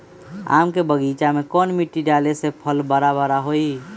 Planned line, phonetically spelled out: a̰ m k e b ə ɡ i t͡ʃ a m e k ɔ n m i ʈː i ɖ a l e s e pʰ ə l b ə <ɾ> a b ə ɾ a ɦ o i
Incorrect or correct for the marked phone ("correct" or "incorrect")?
correct